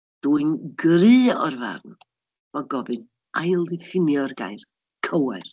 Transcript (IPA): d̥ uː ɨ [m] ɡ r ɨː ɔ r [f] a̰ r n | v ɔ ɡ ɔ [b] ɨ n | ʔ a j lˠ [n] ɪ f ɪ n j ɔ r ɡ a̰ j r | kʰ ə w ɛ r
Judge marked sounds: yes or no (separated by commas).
no, no, yes, no